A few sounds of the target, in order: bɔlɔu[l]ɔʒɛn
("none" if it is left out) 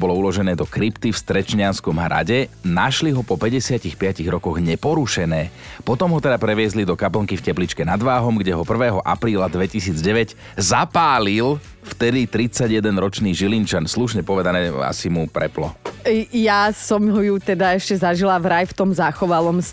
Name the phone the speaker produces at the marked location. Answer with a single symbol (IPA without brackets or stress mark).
l